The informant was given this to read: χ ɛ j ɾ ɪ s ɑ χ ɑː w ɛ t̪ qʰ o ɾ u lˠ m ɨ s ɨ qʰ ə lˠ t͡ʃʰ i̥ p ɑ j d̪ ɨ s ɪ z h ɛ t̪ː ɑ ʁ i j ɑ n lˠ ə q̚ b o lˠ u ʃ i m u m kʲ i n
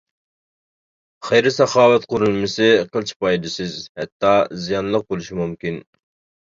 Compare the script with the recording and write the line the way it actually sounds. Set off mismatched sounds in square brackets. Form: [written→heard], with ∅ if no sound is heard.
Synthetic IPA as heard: χ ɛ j ɾ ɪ s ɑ χ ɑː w ɛ t̪ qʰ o ɾ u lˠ m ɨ s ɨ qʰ ə lˠ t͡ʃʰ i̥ p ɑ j d̪ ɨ s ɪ z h ɛ t̪ː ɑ [ʁ→z] i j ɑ n lˠ ə q̚ b o lˠ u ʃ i m u m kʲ i n